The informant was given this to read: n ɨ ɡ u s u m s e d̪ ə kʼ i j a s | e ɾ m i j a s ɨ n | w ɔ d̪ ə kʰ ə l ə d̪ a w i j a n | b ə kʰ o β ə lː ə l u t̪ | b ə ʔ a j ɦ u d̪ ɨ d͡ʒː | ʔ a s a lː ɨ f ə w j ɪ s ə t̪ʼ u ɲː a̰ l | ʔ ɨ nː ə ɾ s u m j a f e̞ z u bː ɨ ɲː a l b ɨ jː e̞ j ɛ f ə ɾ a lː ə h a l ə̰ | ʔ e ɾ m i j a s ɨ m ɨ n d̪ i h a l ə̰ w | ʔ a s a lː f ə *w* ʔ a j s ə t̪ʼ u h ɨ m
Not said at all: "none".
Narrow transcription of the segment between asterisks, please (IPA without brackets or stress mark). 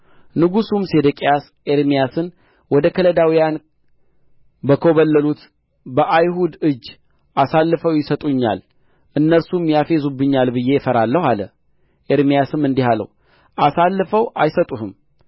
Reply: w